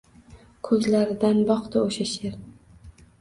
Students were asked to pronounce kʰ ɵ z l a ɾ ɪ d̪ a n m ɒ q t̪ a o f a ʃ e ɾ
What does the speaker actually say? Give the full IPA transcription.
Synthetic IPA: kʰ ɵ z l a ɾ ɪ d̪ a n b ɒ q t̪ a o ʃ a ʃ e ɾ